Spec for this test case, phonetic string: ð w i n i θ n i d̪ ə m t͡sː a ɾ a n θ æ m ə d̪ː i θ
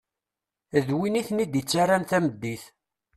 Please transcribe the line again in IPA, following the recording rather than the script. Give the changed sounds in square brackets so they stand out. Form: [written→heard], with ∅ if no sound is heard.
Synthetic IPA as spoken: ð w i n i θ n i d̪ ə [m→∅] t͡sː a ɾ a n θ æ m ə d̪ː i θ